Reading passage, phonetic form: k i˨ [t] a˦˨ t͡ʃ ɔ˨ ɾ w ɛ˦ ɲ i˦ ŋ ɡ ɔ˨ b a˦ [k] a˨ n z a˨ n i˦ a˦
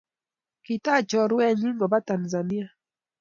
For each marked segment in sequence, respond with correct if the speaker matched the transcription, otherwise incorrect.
correct, incorrect

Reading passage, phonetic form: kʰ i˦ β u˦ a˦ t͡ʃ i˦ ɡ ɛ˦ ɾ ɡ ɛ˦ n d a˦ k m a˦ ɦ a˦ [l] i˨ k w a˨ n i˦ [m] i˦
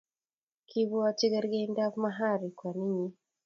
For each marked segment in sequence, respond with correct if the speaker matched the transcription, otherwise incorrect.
incorrect, incorrect

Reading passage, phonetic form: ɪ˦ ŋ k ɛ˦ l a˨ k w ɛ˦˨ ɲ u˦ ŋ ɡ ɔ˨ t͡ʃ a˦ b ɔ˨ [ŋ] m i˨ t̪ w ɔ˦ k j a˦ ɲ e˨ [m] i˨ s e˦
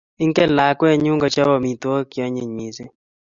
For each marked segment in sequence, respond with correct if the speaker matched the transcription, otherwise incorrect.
incorrect, incorrect

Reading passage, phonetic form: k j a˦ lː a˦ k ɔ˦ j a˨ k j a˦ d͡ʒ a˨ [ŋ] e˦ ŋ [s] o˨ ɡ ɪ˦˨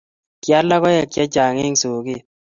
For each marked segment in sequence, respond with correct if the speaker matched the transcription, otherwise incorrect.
correct, correct

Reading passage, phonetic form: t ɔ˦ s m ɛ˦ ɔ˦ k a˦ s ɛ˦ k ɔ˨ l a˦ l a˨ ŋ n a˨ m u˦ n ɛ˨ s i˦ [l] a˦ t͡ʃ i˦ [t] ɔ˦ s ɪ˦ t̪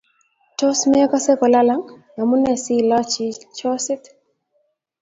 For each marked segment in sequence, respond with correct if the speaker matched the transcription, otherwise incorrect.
correct, incorrect

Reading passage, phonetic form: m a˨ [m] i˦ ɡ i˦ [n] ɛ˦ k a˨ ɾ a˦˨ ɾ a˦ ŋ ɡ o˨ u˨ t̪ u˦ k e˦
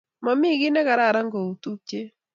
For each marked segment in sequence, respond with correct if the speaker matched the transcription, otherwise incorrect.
correct, correct

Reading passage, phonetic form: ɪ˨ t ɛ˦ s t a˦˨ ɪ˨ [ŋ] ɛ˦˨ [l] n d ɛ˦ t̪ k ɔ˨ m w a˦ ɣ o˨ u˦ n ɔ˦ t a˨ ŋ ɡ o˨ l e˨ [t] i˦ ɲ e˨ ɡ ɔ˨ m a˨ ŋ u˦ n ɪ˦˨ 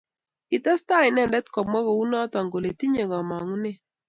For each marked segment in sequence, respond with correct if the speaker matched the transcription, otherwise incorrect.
incorrect, incorrect, correct

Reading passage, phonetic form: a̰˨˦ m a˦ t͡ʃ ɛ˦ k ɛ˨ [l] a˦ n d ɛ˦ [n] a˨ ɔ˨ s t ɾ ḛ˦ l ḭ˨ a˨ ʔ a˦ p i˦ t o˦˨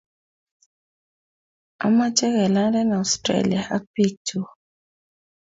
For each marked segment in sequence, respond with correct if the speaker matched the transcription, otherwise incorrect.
correct, correct

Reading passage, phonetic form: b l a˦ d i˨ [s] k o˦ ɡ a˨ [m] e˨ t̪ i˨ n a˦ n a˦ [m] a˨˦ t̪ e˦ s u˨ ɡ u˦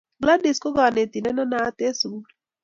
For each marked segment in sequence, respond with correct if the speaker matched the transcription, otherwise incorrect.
correct, incorrect, incorrect

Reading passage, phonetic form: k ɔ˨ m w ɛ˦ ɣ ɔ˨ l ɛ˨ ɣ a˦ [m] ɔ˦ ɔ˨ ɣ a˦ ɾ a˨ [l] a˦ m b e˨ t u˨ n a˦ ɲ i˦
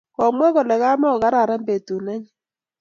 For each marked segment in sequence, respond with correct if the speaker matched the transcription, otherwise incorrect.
correct, incorrect

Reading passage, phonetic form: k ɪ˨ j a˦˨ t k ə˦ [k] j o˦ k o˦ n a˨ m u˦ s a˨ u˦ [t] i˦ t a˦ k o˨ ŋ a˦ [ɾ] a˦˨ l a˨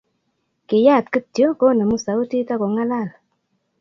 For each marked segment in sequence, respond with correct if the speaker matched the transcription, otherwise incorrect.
incorrect, correct, incorrect

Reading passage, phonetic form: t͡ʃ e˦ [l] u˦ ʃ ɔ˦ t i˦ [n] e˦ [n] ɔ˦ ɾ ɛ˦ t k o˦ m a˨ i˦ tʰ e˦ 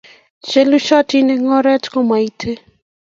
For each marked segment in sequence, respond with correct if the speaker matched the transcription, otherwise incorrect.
correct, correct, incorrect

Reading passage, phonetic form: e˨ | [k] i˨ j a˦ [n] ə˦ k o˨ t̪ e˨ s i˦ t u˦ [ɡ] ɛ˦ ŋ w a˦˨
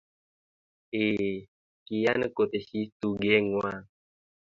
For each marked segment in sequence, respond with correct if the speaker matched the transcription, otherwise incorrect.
correct, correct, correct

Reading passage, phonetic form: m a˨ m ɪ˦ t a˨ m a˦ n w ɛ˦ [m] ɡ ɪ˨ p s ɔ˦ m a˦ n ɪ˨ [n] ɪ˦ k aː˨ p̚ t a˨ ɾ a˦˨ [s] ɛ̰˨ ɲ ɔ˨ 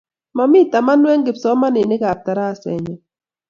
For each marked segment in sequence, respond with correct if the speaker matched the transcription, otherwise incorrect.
incorrect, correct, correct

